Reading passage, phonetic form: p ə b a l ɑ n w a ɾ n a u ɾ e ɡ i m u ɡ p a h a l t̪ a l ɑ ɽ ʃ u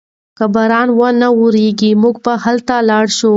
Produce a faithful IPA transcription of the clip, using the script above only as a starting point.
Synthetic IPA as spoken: k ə b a ɾ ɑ n w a n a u ɾ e ɡ i m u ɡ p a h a l t̪ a l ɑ ɽ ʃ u